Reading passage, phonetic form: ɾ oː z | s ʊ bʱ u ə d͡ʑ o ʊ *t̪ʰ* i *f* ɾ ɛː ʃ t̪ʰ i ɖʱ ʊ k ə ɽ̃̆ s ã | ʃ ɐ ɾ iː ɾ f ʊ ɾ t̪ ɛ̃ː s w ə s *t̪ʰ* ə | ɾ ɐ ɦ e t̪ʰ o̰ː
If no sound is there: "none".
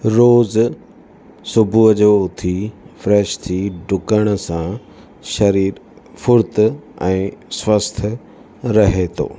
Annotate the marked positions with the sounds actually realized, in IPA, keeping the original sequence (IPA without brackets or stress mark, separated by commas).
t̪ʰ, f, t̪ʰ